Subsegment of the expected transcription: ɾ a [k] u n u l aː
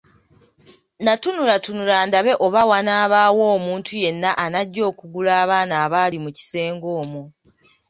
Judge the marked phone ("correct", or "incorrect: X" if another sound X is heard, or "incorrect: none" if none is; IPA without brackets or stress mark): incorrect: t